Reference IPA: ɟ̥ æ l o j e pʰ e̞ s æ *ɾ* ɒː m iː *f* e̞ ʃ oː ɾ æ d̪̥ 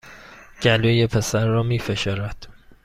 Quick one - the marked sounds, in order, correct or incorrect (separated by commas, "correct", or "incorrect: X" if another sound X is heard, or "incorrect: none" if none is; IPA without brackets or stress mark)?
incorrect: ɾː, correct